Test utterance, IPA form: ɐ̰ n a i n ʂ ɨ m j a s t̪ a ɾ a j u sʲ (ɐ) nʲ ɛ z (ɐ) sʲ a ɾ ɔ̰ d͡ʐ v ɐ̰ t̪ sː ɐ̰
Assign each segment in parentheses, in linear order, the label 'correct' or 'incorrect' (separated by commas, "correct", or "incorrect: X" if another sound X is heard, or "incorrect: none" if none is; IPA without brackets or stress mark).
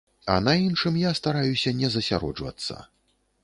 correct, correct